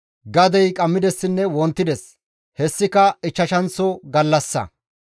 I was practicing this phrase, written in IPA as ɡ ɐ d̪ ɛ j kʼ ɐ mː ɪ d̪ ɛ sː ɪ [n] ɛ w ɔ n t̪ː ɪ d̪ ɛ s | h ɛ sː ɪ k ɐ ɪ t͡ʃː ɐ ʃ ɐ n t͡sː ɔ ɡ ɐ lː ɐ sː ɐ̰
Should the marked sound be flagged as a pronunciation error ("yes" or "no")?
yes